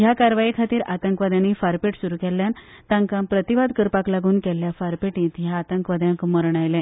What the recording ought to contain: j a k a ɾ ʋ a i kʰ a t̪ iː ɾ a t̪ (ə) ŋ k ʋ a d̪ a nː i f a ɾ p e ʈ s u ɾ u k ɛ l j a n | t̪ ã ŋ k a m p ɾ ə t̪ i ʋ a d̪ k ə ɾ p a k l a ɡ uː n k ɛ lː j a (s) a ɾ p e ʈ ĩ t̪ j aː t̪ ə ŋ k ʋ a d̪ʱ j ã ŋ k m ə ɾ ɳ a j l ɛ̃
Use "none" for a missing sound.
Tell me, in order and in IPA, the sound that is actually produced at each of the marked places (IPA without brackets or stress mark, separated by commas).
ə, f